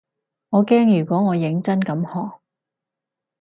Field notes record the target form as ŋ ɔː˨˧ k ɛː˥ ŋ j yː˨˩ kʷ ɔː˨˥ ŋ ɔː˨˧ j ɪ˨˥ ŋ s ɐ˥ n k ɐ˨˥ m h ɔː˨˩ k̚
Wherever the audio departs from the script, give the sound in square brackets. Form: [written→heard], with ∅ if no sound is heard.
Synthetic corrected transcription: ŋ ɔː˨˧ k ɛː˥ ŋ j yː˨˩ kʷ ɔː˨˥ ŋ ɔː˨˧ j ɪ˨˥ ŋ [s→t͡s] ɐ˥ n k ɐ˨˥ m h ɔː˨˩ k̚